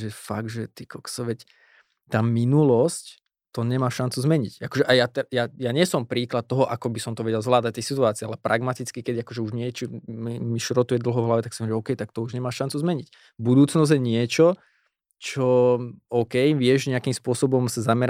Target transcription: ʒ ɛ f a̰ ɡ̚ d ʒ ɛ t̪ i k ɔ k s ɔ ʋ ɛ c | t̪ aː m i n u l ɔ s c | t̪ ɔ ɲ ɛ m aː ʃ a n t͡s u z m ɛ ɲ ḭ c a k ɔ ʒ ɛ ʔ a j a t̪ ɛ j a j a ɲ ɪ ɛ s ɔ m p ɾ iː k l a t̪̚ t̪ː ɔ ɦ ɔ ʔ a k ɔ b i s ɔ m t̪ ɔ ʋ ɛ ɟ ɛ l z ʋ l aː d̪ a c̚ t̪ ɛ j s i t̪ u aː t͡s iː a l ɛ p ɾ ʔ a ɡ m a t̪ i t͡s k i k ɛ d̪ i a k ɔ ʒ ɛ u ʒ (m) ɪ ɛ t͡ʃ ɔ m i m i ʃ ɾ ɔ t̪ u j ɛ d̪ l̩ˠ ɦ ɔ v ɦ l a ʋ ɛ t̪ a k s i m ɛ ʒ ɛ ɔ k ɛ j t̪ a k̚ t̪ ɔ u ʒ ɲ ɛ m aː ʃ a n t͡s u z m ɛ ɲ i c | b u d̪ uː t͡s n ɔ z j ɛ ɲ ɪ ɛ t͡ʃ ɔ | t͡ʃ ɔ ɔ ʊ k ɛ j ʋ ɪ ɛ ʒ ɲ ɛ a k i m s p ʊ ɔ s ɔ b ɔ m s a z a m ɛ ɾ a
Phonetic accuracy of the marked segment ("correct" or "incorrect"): incorrect